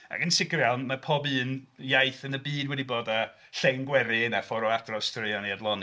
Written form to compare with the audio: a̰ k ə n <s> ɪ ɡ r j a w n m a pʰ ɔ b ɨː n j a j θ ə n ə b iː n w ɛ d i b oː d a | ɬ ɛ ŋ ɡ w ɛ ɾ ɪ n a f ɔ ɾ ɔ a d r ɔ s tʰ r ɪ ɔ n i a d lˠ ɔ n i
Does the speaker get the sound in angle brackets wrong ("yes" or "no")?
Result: no